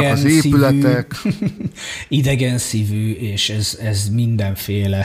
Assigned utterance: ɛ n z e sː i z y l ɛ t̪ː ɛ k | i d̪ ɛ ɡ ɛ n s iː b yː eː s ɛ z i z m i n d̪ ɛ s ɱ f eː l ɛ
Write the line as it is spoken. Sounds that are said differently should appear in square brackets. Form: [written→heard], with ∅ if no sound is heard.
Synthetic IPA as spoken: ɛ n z e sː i [z→∅] y l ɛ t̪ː ɛ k | i d̪ ɛ ɡ ɛ n s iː [b→v] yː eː [s→ʃ] ɛ z [i→ɛ] z m i n d̪ ɛ [s→∅] ɱ f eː l ɛ